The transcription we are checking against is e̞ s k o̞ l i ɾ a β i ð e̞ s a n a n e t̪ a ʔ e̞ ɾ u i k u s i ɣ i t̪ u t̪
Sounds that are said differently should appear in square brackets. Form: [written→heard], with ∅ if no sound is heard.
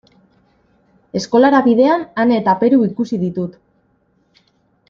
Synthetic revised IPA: e̞ s k o̞ l [i→a] ɾ a β i ð e̞ [s→∅] a n a n e t̪ a [ʔ→p] e̞ ɾ u i k u s i [ɣ→ð] i t̪ u t̪